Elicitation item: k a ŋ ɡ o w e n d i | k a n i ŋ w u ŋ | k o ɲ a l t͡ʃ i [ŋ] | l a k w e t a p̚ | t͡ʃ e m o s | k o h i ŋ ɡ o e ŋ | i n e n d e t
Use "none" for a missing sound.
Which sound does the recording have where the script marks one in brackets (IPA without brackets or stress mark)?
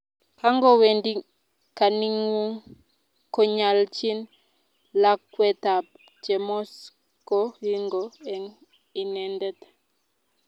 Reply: n